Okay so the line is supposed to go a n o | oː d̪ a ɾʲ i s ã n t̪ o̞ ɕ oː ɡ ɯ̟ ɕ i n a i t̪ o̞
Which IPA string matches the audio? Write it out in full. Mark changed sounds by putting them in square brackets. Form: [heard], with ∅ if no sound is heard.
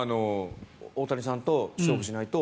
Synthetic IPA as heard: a n o | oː [t̪] a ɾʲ i s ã n t̪ o̞ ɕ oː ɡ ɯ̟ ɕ i n a i t̪ o̞